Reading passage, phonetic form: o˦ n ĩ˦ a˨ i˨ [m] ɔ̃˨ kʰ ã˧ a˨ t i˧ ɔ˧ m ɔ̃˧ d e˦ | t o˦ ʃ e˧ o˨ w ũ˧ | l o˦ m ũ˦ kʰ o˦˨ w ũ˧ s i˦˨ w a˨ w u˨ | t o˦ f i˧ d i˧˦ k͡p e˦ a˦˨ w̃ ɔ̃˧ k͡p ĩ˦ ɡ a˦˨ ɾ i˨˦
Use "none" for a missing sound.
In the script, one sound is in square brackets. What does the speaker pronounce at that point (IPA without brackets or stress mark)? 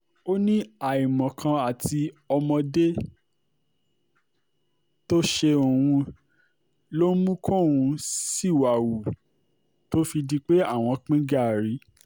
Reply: m